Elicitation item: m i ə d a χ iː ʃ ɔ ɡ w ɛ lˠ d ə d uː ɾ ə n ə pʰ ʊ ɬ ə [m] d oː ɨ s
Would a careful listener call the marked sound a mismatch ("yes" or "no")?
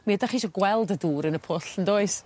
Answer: yes